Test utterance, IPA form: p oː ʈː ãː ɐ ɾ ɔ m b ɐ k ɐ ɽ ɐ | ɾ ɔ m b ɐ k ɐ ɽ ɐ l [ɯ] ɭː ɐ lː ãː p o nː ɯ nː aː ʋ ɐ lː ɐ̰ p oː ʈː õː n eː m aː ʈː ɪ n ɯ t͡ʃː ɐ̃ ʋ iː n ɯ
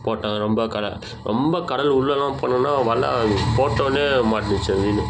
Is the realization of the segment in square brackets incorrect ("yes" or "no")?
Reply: yes